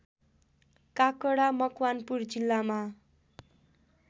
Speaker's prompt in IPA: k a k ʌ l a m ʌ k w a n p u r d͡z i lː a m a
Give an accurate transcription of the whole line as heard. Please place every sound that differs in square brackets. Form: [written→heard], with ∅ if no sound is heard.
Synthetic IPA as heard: k a k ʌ [l→ɽ] a m ʌ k w a n p u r d͡z i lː a m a